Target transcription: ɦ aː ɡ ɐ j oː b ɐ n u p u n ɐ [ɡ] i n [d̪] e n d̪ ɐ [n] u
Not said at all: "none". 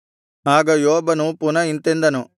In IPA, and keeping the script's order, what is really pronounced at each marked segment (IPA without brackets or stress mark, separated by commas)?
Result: none, t̪, n